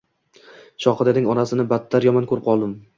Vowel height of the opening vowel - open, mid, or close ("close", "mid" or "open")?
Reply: open